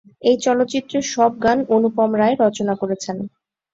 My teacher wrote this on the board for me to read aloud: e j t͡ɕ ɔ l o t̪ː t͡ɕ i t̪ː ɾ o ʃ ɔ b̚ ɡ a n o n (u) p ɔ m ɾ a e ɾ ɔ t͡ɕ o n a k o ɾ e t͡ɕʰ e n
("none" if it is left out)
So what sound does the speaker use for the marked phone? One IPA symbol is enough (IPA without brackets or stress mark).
u